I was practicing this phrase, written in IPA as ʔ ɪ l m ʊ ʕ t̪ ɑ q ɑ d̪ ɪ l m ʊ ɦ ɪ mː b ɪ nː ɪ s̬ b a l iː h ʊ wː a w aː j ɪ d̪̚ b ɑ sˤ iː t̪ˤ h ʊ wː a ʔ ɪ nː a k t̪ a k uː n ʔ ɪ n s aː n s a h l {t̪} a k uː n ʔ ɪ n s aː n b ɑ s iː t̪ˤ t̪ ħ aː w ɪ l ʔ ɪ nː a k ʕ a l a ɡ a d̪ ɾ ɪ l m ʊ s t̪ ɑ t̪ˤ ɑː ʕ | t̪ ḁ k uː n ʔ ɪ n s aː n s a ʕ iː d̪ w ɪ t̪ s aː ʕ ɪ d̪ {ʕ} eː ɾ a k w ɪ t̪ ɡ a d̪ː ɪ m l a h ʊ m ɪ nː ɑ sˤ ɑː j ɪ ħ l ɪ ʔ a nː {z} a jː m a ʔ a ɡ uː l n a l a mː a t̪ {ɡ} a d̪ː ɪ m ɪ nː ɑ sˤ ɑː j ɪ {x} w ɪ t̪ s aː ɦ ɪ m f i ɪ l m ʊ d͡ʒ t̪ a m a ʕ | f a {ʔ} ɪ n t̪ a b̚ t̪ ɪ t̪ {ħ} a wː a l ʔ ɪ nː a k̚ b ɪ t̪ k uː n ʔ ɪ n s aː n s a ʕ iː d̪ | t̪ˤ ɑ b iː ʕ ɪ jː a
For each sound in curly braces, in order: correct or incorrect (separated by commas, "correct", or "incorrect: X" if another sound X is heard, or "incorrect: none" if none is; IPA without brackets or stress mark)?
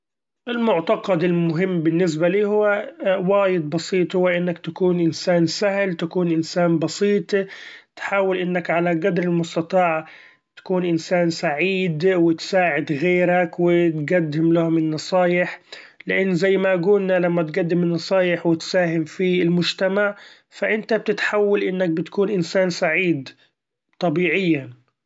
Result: correct, incorrect: ɣ, correct, correct, incorrect: ħ, correct, correct